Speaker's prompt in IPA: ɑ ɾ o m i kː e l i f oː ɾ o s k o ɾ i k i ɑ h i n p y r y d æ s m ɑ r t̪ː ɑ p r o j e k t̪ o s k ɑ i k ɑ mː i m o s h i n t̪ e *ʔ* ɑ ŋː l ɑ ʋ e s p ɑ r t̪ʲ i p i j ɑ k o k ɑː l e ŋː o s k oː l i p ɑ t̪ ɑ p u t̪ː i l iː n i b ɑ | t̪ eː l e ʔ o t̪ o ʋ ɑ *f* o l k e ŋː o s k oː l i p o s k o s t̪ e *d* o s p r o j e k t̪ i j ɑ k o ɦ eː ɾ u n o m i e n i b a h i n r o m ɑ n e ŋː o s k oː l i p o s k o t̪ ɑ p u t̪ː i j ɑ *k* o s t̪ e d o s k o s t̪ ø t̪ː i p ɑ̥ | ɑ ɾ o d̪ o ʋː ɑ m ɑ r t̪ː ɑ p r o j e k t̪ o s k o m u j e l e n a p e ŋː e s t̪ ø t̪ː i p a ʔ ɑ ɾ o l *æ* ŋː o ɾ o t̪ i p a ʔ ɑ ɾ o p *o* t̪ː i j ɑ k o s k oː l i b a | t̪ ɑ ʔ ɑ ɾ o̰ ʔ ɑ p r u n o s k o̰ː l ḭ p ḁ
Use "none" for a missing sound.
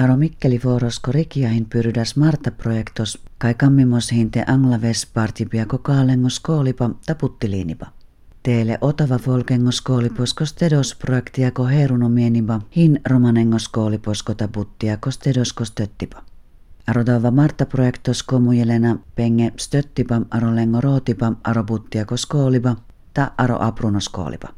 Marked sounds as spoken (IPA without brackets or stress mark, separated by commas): ʔ, f, d, k, e, u